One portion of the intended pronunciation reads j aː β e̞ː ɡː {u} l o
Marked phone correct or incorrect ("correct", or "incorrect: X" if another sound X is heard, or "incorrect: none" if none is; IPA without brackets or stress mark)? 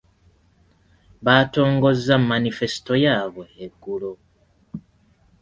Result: correct